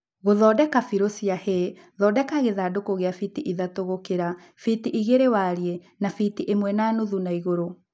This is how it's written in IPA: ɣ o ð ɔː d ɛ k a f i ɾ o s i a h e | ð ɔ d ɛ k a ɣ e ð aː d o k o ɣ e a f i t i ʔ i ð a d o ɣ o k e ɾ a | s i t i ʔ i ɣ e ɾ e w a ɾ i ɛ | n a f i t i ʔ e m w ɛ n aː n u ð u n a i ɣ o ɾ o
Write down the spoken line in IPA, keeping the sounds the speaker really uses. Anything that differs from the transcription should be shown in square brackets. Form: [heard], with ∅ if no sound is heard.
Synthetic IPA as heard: ɣ o ð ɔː d ɛ k a f i ɾ o s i a h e | ð ɔ d ɛ k a ɣ e ð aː d o k o ɣ e a f i t i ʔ i ð a [t] o ɣ o k e ɾ a | [f] i t i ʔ i ɣ e ɾ e w a ɾ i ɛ | n a f i t i ʔ e m w ɛ n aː n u ð u n a i ɣ o ɾ o